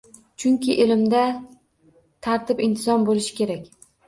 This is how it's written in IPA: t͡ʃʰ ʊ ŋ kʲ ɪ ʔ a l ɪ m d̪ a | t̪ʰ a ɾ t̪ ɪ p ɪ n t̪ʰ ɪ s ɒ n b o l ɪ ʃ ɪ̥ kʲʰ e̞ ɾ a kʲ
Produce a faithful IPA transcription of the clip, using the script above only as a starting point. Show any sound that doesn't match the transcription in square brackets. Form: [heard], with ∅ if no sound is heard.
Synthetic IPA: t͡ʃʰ ʊ ŋ kʲ ɪ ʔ [e] l ɪ m d̪ a | t̪ʰ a ɾ t̪ ɪ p ɪ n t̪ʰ ɪ [z] ɒ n b o l ɪ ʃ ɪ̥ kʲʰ e̞ ɾ a kʲ